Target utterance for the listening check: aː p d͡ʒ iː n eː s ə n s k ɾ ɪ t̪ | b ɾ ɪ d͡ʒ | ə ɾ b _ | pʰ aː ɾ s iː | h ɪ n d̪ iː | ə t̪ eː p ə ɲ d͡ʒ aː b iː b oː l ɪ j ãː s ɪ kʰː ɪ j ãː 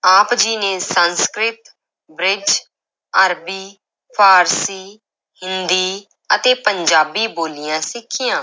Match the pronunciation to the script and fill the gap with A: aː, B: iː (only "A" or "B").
B